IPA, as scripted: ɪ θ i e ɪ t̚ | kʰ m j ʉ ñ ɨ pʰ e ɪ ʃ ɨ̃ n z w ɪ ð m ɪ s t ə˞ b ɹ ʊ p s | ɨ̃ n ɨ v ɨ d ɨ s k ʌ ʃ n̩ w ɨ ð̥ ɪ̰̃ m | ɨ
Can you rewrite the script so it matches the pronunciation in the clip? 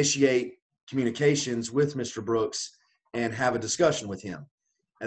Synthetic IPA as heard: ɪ ʃ i e ɪ t̚ | kʰ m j ʉ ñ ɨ kʰ e ɪ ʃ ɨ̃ n z w ɪ ð m ɪ s t ə˞ b ɹ ʊ k s | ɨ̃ n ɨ v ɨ d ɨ s k ʌ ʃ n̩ w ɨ ð̥ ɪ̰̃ m | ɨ